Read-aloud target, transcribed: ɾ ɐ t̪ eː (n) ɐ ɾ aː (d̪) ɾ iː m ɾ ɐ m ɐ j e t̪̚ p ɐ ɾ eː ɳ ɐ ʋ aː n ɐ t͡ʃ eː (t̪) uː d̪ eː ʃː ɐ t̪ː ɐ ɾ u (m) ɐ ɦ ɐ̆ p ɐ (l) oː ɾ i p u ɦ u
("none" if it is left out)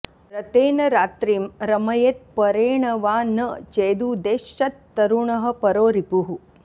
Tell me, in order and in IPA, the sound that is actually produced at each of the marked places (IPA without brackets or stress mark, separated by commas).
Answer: n, t̪, d̪, ɳ, ɾ